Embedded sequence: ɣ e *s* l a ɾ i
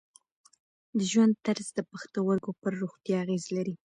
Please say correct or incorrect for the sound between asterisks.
incorrect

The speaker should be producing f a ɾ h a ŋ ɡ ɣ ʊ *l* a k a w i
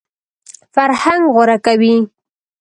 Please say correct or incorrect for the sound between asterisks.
incorrect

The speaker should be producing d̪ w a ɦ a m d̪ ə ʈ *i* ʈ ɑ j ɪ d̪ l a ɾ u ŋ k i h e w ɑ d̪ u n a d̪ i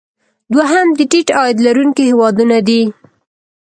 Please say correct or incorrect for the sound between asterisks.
correct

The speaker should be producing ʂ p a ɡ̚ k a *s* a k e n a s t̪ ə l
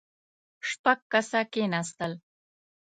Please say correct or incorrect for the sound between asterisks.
correct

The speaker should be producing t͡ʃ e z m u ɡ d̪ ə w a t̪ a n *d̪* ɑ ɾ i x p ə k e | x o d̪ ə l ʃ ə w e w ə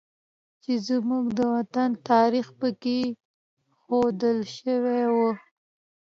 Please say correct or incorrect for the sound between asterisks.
incorrect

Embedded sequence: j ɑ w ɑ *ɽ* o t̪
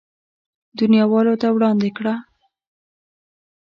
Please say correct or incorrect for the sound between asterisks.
incorrect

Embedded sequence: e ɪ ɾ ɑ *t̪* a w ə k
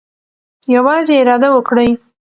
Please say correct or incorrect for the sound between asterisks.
incorrect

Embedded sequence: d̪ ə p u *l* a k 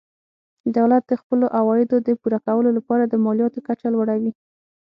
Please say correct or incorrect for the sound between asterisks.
incorrect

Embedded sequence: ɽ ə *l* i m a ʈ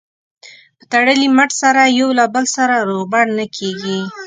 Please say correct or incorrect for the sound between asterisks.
correct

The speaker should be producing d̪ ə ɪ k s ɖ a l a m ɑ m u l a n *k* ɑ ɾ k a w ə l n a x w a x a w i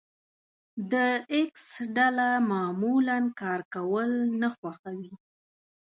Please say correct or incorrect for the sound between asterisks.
correct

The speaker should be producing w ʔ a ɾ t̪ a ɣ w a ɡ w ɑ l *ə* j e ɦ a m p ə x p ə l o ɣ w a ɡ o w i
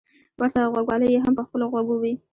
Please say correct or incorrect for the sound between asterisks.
correct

